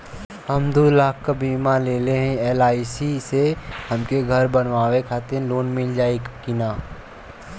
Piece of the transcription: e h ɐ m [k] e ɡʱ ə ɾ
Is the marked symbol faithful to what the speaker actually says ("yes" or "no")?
yes